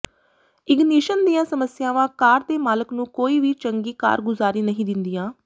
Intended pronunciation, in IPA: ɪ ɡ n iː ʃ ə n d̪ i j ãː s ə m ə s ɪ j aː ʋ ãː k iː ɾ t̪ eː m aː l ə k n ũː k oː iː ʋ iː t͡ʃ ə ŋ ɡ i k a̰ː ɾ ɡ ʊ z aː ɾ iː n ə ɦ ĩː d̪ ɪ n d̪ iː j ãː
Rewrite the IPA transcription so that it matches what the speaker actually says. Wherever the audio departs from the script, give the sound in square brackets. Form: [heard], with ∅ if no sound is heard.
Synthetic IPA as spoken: ɪ ɡ n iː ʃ ə n d̪ i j ãː s ə m ə s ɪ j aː ʋ ãː k [aː] ɾ t̪ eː m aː l ə k n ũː k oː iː ʋ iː t͡ʃ ə ŋ ɡ [iː] k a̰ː ɾ ɡ ʊ z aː ɾ iː n ə ɦ ĩː d̪ ɪ n d̪ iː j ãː